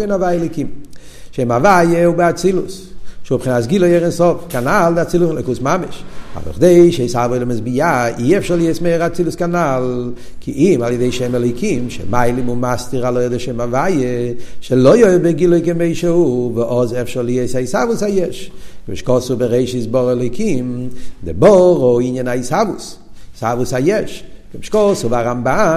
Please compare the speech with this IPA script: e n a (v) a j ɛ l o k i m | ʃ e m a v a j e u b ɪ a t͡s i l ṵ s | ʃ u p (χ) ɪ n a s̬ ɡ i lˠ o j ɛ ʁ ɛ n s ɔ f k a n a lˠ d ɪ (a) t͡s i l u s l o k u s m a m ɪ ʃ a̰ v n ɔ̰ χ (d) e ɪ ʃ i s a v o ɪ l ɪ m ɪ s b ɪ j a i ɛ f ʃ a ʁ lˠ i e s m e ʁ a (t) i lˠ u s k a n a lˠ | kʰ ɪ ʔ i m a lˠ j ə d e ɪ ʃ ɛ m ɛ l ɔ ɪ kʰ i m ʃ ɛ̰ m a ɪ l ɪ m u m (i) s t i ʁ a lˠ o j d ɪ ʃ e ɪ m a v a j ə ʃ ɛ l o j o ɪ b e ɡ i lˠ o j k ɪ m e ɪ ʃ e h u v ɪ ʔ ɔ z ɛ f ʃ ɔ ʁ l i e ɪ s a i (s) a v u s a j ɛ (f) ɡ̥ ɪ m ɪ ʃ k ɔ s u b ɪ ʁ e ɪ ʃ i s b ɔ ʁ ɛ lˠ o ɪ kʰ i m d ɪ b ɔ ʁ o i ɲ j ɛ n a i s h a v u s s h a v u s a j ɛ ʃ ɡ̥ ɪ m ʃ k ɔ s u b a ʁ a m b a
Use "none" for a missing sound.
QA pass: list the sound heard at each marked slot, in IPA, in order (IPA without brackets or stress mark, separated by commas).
v, χ, a, d, t͡s, a, s, ʃ